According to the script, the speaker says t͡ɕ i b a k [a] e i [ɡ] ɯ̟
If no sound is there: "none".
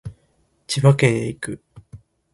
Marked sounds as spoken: e, k

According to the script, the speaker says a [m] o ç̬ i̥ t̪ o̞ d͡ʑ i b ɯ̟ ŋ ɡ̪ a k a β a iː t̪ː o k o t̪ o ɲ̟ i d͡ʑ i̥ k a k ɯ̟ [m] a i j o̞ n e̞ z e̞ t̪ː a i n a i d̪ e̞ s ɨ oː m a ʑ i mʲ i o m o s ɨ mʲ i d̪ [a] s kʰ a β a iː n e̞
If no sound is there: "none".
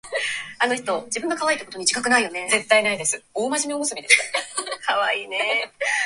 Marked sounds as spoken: n, n, e

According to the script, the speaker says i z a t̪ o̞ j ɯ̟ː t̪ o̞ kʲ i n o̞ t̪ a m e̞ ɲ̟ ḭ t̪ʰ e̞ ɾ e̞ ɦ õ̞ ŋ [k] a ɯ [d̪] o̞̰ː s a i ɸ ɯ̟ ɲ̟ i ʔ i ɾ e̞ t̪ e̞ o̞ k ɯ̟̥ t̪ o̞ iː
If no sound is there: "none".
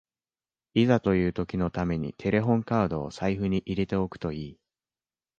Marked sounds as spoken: k, d̪

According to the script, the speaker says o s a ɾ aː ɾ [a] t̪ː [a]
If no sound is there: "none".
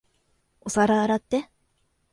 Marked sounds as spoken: a, e

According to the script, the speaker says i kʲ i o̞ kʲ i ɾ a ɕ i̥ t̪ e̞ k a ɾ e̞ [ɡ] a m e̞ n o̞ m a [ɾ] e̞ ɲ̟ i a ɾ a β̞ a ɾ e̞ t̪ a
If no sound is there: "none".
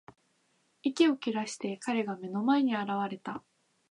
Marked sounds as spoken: ɡ, none

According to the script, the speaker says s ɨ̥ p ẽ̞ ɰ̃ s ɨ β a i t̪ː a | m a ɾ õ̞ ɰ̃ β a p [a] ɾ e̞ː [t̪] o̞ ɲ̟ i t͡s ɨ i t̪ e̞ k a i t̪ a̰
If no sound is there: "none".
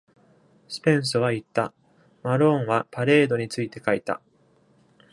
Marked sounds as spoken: a, d̪

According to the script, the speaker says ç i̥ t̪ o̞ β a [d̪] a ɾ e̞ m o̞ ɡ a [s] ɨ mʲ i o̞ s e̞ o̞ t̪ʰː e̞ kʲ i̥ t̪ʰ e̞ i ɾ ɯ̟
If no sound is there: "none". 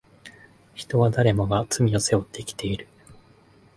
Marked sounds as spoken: d̪, t͡s

